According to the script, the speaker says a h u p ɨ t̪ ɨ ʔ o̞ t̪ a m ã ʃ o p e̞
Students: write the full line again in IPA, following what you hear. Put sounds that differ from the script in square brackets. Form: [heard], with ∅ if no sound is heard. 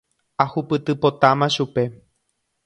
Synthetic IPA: a h u p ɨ t̪ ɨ [p] o̞ t̪ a m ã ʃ [u] p e̞